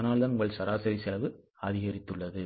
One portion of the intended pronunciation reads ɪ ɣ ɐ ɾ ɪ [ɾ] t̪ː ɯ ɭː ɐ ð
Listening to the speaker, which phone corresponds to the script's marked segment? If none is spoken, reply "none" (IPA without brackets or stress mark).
none